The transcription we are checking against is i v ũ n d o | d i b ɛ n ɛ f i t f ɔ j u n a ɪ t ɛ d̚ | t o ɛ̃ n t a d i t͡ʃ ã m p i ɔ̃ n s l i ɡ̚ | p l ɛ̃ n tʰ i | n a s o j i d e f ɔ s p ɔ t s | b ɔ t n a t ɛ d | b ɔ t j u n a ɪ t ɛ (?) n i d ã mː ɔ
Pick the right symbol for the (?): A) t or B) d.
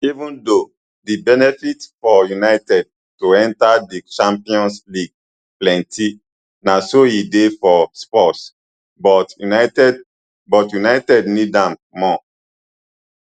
B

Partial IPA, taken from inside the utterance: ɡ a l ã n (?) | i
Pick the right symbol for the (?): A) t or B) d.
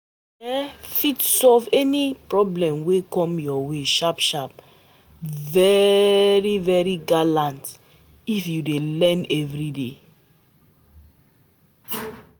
A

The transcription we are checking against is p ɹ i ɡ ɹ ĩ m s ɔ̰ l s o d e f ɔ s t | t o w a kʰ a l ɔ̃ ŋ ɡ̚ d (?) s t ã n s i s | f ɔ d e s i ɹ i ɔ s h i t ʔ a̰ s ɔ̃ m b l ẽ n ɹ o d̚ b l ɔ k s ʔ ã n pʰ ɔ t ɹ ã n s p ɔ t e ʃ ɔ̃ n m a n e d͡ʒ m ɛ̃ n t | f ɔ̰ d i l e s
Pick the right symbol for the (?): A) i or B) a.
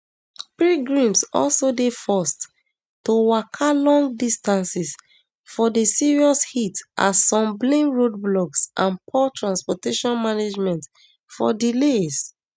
A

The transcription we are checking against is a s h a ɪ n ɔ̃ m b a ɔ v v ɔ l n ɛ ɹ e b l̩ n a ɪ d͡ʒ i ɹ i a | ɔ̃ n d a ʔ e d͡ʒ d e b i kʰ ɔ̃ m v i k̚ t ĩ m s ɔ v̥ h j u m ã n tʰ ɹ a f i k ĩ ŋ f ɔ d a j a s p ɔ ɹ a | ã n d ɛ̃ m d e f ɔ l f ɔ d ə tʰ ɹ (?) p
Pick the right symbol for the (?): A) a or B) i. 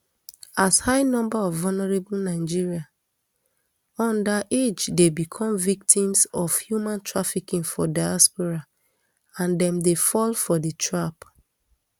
A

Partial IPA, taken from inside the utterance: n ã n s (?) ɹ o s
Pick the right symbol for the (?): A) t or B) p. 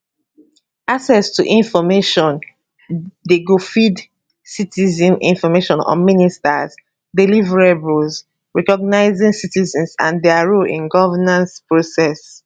B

